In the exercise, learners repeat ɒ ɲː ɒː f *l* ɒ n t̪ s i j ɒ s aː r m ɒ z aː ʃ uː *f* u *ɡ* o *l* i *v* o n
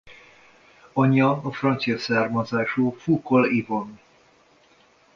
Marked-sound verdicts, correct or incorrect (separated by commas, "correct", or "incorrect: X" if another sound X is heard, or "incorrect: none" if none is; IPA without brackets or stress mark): incorrect: r, correct, incorrect: k, correct, correct